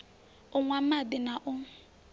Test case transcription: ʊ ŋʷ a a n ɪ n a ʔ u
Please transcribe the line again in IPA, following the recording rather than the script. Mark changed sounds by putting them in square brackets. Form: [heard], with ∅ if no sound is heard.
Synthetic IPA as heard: ʊ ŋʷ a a [d] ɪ n a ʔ [ʊ]